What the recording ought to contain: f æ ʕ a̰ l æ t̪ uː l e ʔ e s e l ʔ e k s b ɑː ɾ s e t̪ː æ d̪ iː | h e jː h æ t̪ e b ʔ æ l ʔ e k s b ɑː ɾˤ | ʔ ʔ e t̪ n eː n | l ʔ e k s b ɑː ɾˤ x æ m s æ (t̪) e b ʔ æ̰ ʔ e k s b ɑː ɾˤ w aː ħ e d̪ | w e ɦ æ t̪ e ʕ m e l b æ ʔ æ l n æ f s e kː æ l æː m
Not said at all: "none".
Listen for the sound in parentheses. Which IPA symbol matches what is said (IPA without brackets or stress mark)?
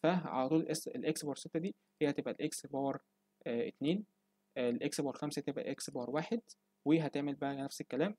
t̪